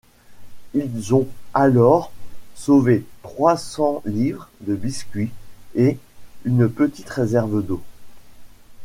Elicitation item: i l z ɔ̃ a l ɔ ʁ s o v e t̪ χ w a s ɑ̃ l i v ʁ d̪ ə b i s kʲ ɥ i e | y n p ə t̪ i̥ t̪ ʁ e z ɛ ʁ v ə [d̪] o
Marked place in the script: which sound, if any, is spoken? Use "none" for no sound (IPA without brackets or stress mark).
d̪